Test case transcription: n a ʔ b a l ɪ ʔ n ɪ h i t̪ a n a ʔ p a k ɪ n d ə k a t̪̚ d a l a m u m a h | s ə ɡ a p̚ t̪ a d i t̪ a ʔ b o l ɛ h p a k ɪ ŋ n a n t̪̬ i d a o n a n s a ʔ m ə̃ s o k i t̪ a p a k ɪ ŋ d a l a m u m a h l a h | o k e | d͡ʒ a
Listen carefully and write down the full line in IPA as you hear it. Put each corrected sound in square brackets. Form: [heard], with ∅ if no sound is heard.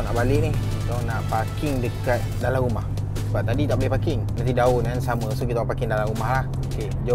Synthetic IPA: n a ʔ b a l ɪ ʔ n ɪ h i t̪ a n a ʔ p a k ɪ [ŋ] d ə k a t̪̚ d a l a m u m a h | s ə [b] a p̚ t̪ a d i t̪ a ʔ b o l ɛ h p a k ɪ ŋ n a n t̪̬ i d a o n a n s a [∅] m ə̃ s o k i t̪ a p a k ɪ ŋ d a l a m u m a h l a h | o k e | d͡ʒ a